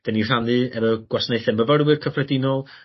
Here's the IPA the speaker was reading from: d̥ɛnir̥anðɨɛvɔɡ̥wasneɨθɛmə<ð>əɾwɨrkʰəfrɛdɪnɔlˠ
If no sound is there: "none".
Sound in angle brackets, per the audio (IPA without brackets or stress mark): v